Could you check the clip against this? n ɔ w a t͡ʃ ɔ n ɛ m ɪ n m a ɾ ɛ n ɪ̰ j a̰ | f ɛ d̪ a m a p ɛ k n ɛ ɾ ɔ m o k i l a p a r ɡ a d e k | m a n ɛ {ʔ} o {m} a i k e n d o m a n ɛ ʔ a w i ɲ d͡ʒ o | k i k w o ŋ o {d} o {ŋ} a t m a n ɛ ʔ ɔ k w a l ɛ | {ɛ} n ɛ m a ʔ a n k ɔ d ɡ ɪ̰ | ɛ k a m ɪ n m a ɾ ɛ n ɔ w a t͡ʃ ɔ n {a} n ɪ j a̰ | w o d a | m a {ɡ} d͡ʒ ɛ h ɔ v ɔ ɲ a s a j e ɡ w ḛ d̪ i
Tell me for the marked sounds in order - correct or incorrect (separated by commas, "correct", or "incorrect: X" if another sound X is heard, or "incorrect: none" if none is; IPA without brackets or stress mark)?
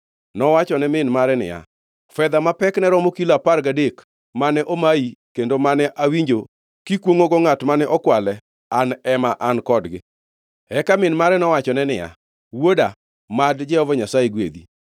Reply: correct, correct, incorrect: ɡ, correct, incorrect: a, incorrect: ɛ, incorrect: d